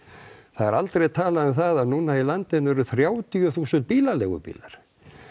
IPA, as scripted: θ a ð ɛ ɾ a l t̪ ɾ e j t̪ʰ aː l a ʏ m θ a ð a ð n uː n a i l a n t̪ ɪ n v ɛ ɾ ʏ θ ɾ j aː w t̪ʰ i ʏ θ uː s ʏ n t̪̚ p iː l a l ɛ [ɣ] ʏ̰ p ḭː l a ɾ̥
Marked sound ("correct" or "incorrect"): correct